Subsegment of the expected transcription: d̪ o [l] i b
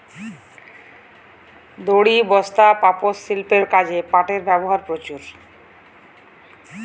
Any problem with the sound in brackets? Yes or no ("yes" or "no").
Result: yes